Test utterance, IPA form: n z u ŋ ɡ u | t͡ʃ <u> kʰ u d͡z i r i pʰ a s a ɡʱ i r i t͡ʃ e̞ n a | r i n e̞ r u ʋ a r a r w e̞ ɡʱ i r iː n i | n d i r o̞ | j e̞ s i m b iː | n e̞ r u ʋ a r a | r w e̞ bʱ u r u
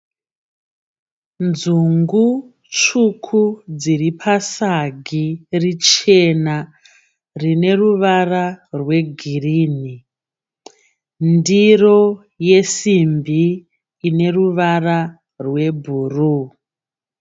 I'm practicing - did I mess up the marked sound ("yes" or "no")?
no